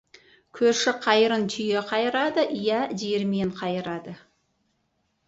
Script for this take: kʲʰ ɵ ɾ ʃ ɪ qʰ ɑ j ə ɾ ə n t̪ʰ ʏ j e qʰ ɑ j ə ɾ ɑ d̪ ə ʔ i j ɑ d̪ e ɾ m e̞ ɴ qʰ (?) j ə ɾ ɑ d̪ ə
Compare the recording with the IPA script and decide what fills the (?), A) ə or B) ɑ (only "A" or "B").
B